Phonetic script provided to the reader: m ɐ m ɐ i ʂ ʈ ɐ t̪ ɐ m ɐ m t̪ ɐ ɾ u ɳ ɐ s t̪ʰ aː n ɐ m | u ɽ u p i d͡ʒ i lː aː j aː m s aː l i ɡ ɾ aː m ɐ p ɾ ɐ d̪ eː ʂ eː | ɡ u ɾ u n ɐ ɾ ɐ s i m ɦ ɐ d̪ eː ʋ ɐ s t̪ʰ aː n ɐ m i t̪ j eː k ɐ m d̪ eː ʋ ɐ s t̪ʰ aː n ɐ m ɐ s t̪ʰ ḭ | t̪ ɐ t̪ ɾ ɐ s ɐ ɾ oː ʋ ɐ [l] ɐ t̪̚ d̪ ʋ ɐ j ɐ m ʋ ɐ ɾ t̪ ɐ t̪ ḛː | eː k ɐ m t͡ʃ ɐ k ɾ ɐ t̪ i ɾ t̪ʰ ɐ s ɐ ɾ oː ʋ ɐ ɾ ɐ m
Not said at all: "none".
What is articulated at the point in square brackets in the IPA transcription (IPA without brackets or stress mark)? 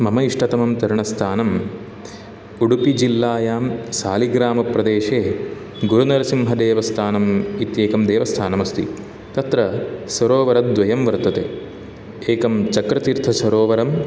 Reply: ɾ